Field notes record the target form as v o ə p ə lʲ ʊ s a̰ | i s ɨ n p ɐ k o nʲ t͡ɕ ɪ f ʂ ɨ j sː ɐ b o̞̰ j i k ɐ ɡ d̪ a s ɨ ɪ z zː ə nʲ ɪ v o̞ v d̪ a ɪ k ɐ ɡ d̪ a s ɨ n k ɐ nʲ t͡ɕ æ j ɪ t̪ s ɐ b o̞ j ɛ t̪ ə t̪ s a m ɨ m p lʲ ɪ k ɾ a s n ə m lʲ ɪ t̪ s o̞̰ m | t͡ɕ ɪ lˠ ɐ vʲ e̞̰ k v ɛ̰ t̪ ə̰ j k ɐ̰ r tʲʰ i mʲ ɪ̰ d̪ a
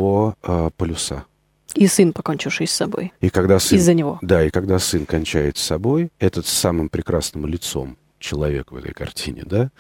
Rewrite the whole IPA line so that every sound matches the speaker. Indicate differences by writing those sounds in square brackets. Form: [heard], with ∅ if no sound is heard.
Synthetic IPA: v o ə p ə lʲ ʊ s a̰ | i s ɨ n p ɐ k o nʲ t͡ɕ ɪ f ʂ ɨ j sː ɐ b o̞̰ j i k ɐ ɡ d̪ a s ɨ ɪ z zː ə nʲ ɪ v o̞ [∅] d̪ a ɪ k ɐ ɡ d̪ a s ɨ n k ɐ nʲ t͡ɕ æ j ɪ t̪ s ɐ b o̞ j ɛ t̪ ə t̪ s a m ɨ m p [ɾʲ] ɪ k ɾ a s n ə m lʲ ɪ t̪ s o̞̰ m | t͡ɕ ɪ lˠ ɐ vʲ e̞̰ k v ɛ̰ t̪ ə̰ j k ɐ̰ r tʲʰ i [nʲ] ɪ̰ d̪ a